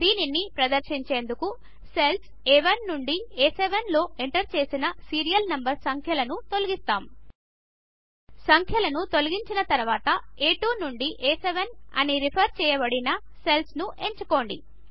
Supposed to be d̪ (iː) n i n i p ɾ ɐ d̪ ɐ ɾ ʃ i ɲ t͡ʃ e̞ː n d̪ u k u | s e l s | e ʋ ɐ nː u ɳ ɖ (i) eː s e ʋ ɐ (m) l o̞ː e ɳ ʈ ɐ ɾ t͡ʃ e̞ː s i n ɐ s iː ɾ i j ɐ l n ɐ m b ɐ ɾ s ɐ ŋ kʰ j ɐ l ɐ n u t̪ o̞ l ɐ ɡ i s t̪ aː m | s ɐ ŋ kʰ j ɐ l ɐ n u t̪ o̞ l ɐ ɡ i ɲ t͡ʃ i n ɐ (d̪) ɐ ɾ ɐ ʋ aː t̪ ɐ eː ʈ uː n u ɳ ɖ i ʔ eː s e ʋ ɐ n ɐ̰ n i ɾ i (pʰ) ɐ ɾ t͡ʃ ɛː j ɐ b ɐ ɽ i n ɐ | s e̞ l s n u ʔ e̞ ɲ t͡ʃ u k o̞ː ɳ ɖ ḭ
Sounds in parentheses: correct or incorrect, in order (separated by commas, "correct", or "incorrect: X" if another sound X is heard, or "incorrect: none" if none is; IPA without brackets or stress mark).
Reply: correct, correct, incorrect: n, incorrect: t̪, correct